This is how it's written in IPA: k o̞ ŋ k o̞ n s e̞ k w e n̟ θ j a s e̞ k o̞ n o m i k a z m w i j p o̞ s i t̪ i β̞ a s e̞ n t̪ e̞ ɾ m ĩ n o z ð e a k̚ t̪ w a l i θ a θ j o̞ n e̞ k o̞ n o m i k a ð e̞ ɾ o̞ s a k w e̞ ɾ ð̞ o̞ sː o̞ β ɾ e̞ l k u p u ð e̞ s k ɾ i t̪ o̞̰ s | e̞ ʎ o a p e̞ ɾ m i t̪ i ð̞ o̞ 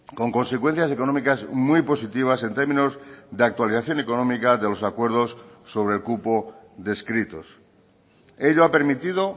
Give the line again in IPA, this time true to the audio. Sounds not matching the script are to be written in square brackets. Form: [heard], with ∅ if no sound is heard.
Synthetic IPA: k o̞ ŋ k o̞ n s e̞ k w e n̟ θ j a s e̞ k o̞ n o m i k a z m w i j p o̞ s i t̪ i β̞ a s e̞ n t̪ e̞ ɾ m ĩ n o z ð e a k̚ t̪ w a l i θ a θ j o̞ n e̞ k o̞ n o m i k a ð e̞ [l] o̞ s a k w e̞ ɾ ð̞ o̞ sː o̞ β ɾ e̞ l k u p [o] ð e̞ s k ɾ i t̪ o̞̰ s | e̞ ʎ o a p e̞ ɾ m i t̪ i ð̞ o̞